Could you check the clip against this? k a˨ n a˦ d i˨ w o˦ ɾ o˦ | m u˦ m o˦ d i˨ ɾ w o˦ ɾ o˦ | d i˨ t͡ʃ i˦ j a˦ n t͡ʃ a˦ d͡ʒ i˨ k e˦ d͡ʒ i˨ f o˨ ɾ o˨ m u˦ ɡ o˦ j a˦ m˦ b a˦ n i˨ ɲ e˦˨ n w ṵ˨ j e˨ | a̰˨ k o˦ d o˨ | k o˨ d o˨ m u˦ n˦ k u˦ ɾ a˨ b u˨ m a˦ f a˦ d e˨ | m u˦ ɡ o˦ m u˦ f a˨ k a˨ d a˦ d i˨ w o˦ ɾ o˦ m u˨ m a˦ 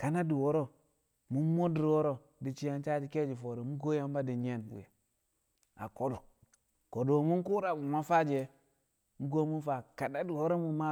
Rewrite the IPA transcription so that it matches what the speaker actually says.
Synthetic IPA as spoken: k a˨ n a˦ d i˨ w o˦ ɾ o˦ | m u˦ m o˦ d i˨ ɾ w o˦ ɾ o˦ | d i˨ t͡ʃ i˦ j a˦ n t͡ʃ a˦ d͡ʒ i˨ k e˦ d͡ʒ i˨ f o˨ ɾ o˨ m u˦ ɡ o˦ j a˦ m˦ b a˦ d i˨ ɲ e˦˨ n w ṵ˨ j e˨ | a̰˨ k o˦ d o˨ | k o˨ d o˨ m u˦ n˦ k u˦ ɾ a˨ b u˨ m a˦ f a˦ d͡ʒ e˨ | m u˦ ɡ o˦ m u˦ f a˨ k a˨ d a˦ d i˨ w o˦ ɾ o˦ m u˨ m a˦